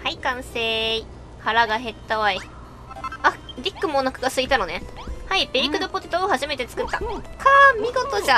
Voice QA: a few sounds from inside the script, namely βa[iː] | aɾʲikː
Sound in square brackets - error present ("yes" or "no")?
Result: yes